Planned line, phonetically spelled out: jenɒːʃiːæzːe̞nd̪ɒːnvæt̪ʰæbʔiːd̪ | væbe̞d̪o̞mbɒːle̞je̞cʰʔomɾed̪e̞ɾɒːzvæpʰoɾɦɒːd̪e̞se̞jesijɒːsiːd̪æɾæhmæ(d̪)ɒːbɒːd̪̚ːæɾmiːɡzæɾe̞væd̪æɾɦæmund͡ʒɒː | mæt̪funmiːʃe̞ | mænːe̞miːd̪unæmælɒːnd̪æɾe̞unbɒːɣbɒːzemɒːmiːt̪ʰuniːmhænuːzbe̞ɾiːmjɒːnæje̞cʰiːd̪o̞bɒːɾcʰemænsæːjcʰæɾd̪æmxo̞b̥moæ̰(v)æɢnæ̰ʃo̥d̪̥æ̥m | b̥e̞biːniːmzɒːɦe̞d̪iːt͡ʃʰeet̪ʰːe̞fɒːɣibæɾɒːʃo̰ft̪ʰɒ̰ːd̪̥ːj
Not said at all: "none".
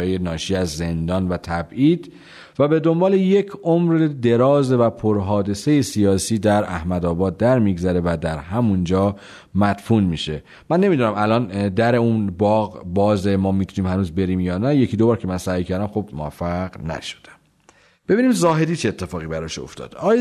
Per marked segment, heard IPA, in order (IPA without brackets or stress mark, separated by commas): d̪, f